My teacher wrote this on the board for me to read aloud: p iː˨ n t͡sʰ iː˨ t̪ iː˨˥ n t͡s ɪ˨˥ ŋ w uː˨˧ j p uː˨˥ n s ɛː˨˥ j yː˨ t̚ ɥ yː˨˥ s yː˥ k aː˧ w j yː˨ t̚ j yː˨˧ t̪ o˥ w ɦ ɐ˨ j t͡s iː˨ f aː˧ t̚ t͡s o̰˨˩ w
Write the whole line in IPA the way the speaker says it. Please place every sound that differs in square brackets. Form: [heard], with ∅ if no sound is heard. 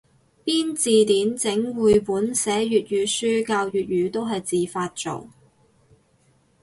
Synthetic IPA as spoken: p [iː˥] n [t͡s] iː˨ t̪ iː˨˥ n t͡s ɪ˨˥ ŋ w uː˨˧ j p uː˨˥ n s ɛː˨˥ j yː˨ t̚ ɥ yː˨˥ s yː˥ k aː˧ w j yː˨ t̚ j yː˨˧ t̪ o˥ w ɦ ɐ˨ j t͡s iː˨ f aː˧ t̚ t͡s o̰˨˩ w